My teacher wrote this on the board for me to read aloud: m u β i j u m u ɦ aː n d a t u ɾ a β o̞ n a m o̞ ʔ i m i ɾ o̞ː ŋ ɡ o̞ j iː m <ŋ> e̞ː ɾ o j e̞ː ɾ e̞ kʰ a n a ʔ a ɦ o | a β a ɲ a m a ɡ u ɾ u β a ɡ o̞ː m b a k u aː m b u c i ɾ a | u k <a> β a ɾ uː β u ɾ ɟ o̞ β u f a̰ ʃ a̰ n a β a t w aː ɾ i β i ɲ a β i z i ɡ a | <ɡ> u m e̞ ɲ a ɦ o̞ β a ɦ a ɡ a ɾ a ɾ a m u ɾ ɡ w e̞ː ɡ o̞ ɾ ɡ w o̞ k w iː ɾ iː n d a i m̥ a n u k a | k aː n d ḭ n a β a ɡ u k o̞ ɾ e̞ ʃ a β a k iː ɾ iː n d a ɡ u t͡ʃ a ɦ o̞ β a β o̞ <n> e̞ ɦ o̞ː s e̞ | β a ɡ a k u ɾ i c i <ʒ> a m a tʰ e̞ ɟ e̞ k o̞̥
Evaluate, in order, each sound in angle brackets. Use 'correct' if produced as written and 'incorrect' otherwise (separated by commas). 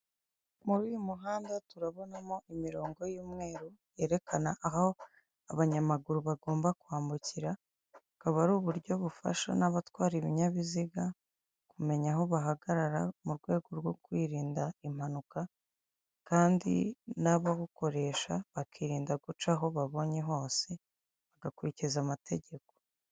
correct, correct, incorrect, incorrect, incorrect